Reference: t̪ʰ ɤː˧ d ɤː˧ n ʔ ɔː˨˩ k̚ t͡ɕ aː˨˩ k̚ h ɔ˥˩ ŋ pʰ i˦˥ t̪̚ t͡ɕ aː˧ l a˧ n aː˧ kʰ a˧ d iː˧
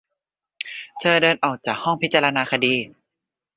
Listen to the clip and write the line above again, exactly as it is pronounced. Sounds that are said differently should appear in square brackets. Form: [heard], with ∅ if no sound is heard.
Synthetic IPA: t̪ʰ ɤː˧ d ɤː˧ n ʔ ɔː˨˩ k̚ t͡ɕ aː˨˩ k̚ h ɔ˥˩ ŋ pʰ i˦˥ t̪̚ t͡ɕ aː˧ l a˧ n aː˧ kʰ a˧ d iː˧